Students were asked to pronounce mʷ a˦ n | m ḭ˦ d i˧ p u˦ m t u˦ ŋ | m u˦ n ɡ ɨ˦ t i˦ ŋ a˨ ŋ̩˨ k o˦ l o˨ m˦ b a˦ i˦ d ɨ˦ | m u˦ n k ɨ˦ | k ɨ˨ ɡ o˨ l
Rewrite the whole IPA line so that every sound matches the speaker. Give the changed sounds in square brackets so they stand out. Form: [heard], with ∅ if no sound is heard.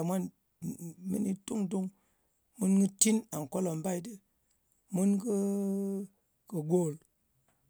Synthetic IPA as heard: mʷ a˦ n | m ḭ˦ [n] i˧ [t] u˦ [ŋ] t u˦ ŋ | m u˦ n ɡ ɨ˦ t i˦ [n] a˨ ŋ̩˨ k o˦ l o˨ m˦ b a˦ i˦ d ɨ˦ | m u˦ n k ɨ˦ | k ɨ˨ ɡ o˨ l

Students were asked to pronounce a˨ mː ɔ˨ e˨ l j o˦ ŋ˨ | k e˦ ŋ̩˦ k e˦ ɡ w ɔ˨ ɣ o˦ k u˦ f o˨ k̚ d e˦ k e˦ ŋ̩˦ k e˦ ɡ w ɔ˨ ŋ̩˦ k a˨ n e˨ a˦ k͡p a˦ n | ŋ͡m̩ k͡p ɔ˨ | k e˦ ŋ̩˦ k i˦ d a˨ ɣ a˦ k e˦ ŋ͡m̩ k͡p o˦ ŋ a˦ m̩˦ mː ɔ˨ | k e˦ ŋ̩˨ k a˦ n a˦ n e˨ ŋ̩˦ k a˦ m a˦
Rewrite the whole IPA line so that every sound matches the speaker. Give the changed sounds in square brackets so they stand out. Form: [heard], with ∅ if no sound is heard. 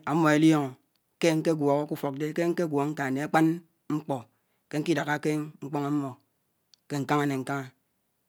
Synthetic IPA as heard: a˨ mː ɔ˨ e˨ l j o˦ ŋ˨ | k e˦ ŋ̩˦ k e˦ ɡ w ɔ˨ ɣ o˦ k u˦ f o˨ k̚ d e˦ k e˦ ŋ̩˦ k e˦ ɡ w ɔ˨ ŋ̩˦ k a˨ n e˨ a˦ k͡p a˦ n | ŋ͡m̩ k͡p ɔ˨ | k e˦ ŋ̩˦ k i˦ d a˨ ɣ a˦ k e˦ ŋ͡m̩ k͡p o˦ ŋ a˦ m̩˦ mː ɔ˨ | k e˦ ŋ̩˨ k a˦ [ŋ] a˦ n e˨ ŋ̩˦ k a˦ [ŋ] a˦

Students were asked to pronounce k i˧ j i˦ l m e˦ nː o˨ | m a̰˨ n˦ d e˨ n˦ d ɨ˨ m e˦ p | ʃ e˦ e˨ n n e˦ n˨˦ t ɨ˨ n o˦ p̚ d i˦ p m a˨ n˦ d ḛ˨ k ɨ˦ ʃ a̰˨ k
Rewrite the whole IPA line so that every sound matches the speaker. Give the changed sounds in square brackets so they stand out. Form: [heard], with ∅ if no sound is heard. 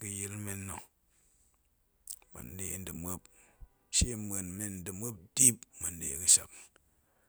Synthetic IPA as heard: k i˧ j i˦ l m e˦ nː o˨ | m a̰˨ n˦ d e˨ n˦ d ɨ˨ m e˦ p | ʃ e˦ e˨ n [m] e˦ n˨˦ [d] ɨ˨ [m] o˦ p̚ d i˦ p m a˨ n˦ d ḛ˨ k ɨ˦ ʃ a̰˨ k

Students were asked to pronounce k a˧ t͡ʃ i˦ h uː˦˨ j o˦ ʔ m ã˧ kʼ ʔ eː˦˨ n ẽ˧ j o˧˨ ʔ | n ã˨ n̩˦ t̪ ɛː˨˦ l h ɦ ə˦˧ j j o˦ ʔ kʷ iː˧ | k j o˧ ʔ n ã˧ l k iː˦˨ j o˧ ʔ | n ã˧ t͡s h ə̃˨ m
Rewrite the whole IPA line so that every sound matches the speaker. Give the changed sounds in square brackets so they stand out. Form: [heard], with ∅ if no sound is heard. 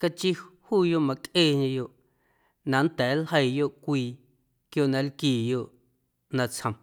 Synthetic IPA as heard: k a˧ t͡ʃ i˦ h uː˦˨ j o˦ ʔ m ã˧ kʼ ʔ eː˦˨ [ɲ] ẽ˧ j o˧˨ ʔ | n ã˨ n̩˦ t̪ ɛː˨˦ l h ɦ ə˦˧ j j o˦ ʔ kʷ iː˧ | k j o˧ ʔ n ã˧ l k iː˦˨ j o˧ ʔ | n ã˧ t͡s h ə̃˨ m

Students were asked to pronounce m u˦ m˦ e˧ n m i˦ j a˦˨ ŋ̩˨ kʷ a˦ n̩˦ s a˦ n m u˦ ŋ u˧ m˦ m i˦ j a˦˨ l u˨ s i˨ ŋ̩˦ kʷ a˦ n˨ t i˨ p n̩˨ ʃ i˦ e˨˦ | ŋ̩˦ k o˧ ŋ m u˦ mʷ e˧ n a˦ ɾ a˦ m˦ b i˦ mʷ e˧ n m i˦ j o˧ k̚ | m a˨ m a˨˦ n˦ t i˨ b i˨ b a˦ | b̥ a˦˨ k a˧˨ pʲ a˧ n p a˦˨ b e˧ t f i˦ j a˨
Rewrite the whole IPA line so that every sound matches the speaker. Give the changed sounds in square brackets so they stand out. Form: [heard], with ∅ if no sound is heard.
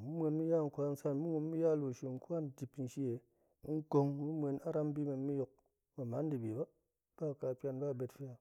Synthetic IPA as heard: m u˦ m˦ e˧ n m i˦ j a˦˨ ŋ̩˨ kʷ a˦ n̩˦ s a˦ n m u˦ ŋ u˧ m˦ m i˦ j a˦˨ l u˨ [ʃ] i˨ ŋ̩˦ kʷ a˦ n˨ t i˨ p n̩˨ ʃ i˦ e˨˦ | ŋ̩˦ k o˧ ŋ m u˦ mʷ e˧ n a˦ ɾ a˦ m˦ b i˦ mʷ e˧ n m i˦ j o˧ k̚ | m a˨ m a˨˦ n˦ [d] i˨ b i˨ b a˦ | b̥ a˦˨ k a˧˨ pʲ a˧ n [b] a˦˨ b e˧ t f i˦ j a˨

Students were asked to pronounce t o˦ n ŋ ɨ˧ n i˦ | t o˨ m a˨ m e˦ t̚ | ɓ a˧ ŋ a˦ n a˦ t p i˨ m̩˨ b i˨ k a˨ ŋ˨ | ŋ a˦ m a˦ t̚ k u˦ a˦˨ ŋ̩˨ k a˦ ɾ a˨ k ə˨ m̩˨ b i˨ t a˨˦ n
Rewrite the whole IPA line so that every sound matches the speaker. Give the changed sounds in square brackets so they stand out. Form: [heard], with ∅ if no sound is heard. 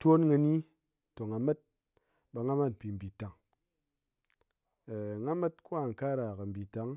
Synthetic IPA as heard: t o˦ n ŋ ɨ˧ n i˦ | t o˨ [ŋ] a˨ m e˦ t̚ | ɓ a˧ ŋ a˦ [m] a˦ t p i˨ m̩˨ b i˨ [t] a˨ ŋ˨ | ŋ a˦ m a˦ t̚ k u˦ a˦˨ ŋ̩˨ k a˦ ɾ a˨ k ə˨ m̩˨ b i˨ t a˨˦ [ŋ]

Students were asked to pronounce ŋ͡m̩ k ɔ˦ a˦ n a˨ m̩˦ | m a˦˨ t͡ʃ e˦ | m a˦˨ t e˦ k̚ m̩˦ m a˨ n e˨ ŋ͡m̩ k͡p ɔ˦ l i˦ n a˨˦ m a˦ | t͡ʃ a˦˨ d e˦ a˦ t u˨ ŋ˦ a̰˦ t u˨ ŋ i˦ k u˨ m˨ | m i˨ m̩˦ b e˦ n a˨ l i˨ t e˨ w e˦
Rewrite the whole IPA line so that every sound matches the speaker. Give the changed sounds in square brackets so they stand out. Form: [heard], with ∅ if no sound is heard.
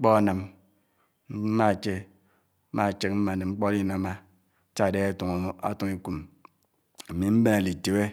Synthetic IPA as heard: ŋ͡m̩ [k͡p] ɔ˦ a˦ n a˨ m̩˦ | m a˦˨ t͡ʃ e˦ | m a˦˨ [t͡ʃ] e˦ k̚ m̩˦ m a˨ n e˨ ŋ͡m̩ k͡p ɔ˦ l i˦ n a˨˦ m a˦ | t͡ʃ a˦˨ d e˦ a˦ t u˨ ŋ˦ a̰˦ t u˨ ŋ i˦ k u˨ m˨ | m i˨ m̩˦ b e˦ n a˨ l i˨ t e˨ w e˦

